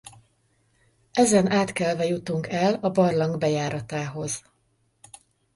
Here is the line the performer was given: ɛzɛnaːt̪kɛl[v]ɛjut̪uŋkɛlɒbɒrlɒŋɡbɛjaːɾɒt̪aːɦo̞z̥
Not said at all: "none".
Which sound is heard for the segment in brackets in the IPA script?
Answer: v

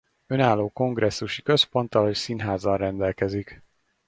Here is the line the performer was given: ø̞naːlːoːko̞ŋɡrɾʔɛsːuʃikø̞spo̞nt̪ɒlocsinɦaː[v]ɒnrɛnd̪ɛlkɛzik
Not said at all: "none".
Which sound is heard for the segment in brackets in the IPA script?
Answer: z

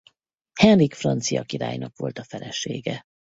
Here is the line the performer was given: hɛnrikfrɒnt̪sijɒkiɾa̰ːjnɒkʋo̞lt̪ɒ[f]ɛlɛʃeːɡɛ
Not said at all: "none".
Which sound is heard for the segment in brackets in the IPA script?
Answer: f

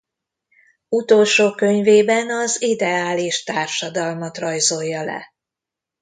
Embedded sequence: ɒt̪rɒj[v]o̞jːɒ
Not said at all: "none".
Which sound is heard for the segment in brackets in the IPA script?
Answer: z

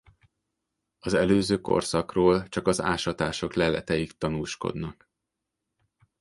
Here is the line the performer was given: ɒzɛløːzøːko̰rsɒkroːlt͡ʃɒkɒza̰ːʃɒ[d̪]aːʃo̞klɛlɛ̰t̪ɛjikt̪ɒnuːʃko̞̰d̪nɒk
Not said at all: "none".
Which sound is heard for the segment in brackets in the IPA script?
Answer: t̪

